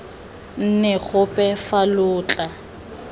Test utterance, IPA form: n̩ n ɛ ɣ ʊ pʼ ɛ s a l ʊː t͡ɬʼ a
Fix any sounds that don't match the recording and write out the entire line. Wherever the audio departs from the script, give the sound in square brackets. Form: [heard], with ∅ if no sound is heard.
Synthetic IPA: n̩ n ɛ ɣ ʊ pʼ ɛ [f] a l ʊː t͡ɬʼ a